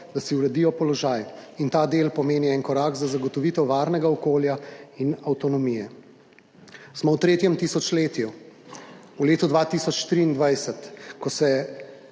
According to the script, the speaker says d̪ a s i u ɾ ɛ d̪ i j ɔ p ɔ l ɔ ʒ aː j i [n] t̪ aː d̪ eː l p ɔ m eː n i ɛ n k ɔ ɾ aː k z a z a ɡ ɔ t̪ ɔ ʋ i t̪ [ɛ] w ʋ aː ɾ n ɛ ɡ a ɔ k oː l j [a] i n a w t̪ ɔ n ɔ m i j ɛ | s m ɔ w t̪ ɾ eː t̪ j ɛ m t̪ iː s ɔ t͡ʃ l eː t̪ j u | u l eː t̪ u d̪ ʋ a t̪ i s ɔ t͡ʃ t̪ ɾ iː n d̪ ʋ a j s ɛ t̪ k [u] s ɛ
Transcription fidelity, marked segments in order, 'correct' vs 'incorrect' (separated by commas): correct, correct, correct, incorrect